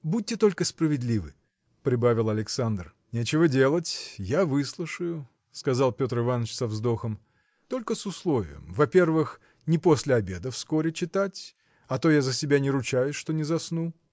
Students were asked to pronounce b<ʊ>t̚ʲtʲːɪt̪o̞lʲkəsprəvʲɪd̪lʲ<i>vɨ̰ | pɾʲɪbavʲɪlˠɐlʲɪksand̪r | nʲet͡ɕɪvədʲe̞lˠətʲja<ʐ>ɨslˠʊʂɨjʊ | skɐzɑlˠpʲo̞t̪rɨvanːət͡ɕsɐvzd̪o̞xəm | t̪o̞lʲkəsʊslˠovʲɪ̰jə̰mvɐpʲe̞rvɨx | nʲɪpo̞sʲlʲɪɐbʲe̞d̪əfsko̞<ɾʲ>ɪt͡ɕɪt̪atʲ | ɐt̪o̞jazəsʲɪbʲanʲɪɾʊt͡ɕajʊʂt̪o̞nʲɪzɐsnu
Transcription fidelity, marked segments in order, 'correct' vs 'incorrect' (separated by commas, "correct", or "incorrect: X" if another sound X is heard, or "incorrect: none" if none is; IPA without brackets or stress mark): incorrect: u, correct, incorrect: v, correct